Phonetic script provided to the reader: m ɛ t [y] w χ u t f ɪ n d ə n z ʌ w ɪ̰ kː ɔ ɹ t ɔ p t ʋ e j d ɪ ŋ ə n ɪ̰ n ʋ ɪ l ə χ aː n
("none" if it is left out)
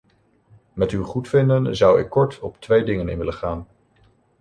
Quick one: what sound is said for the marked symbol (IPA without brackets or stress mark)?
y